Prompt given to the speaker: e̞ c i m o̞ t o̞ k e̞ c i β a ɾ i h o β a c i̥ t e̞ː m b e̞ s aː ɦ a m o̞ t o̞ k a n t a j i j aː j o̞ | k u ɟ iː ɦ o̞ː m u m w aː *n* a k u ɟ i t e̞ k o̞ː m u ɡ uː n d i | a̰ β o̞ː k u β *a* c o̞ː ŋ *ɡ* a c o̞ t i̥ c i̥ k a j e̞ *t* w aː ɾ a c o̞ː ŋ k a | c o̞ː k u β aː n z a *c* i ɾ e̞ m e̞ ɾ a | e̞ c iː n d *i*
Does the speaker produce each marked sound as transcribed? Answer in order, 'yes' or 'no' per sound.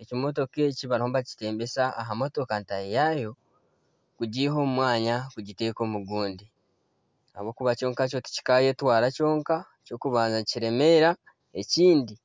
no, yes, no, yes, yes, yes

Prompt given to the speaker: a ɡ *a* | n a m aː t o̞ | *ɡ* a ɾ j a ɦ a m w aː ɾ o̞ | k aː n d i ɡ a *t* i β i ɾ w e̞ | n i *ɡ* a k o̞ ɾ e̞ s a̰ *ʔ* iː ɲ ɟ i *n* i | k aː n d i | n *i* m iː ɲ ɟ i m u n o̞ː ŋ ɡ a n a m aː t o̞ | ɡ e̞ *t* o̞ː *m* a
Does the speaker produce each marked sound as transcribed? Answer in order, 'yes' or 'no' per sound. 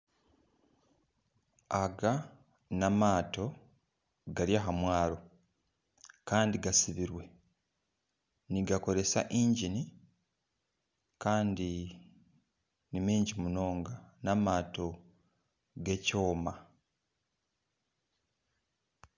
yes, yes, no, yes, yes, yes, yes, no, yes

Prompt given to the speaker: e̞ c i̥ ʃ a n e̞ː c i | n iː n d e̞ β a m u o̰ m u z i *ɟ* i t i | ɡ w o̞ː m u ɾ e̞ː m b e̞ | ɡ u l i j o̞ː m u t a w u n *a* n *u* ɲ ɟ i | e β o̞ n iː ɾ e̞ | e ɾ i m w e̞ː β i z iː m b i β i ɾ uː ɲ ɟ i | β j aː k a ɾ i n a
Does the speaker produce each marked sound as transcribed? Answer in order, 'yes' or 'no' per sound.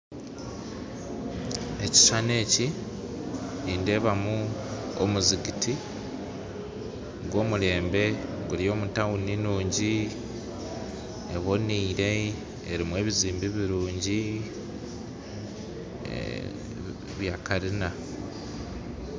no, no, no

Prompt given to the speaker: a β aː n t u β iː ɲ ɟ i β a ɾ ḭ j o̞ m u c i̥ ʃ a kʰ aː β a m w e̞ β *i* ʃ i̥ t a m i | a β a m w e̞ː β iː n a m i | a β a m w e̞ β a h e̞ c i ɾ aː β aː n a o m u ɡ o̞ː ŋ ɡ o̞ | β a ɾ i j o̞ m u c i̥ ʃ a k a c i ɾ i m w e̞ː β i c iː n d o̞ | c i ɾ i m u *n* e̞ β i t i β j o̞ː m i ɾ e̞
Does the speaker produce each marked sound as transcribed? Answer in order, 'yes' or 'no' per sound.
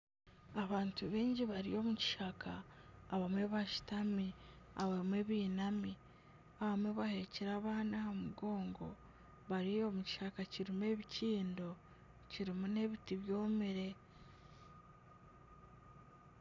no, yes

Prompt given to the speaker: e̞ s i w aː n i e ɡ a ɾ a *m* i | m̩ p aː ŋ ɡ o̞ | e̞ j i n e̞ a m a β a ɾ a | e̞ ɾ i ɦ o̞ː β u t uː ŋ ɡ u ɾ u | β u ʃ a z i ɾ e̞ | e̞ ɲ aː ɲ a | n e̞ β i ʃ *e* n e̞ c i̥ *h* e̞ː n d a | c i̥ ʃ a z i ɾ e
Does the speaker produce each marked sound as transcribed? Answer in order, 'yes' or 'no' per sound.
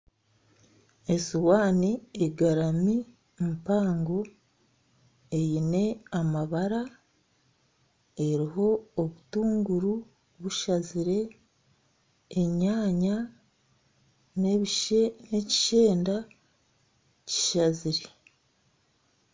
yes, yes, no

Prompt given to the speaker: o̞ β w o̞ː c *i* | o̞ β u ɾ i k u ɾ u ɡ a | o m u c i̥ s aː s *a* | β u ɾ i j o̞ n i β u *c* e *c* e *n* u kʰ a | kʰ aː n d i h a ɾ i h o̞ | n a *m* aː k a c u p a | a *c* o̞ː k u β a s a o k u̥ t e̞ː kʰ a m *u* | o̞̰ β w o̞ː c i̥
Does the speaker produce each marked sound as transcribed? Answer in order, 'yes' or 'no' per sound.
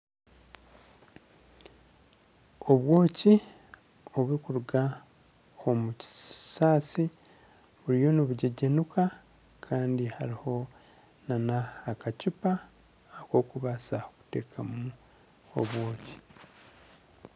yes, no, no, no, yes, no, no, yes

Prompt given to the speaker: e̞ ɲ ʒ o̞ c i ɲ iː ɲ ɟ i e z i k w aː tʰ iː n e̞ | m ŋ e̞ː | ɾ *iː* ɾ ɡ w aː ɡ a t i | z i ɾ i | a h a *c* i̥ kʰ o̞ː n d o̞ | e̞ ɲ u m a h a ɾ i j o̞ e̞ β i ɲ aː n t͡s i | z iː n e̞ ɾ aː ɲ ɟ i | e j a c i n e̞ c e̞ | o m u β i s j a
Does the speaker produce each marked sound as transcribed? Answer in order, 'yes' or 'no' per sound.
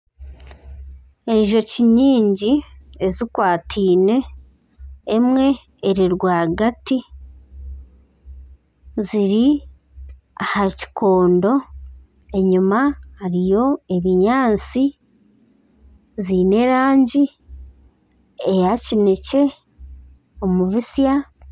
no, yes

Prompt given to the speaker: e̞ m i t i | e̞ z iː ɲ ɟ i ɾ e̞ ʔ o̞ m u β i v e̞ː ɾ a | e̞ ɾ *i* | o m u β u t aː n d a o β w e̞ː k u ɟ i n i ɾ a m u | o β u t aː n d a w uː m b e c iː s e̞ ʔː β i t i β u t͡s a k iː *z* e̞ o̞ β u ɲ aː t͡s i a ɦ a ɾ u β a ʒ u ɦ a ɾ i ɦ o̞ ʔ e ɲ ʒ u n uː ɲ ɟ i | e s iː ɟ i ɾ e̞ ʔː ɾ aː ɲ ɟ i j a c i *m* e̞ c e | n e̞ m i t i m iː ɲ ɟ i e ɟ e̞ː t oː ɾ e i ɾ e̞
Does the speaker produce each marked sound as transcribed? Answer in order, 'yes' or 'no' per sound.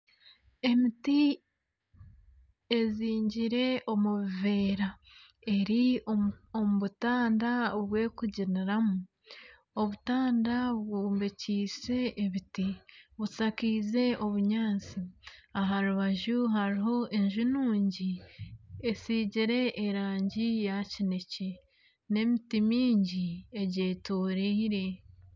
yes, yes, no

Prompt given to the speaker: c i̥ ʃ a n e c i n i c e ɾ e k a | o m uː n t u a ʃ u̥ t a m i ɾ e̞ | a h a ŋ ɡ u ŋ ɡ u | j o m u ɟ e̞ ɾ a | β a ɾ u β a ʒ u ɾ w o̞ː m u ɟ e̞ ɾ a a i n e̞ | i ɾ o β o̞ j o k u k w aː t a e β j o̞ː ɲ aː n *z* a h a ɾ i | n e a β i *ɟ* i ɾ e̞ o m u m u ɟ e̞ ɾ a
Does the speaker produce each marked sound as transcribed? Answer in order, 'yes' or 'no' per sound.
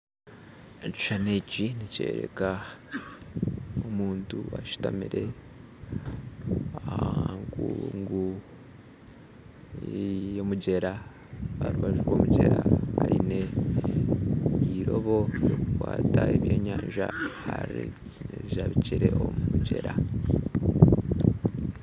no, no

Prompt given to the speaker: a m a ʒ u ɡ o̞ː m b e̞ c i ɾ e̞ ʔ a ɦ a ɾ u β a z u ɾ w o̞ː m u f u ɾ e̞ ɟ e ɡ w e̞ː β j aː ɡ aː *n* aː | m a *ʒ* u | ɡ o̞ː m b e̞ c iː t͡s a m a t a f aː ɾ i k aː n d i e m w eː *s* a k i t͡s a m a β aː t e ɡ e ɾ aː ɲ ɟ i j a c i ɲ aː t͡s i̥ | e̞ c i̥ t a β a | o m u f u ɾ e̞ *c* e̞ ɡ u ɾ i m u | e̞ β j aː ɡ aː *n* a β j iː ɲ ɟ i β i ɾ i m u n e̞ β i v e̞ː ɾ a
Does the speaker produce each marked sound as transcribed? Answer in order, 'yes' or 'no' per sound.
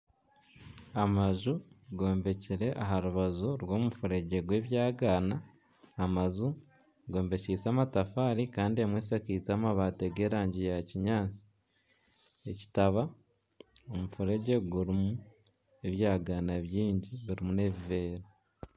yes, no, yes, no, yes

